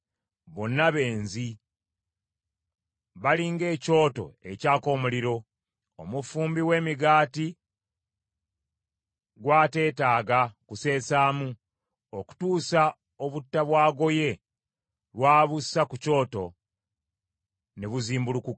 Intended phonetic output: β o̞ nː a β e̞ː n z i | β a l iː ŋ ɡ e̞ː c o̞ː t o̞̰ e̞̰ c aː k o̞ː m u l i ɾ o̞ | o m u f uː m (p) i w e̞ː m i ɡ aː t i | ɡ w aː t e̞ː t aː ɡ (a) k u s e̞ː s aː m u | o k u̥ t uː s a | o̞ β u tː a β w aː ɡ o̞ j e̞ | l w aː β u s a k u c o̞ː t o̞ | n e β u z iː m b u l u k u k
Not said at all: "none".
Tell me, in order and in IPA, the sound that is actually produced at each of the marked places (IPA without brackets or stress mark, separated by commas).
b, a